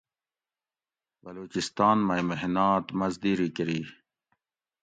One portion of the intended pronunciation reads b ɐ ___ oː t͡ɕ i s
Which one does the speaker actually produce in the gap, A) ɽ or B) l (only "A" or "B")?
B